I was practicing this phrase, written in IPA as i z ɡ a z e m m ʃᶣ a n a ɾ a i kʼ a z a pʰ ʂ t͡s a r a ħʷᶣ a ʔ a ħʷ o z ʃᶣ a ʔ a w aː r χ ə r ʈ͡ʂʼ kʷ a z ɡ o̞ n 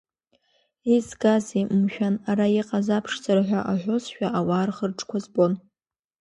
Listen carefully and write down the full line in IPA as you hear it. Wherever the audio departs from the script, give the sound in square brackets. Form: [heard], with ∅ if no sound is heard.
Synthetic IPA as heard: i z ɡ a z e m m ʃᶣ a n a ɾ a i [qʼ] a z a pʰ ʂ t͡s a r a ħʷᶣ a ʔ a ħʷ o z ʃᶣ a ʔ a w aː r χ ə r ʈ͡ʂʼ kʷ a z [b] o̞ n